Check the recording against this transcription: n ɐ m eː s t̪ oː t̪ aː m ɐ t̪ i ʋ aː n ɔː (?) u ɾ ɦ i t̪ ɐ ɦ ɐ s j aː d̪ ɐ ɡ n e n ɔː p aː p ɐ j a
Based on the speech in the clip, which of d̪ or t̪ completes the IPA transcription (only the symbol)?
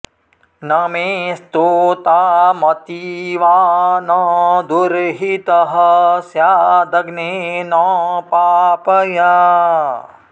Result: d̪